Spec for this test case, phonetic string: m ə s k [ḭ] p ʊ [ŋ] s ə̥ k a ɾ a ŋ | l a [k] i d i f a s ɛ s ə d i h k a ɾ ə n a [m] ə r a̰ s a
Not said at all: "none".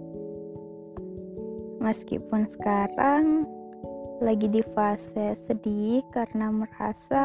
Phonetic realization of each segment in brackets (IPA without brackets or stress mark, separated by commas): ḭ, n, ɡ, m